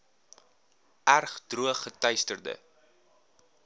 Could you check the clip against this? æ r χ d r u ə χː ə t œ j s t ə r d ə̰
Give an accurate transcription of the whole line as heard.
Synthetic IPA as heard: æ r χ d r u ə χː ə t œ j s t ə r d ə̰